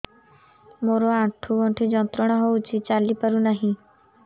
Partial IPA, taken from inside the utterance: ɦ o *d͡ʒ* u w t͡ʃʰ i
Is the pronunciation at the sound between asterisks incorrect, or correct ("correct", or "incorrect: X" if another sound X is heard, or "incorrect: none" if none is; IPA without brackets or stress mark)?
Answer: incorrect: none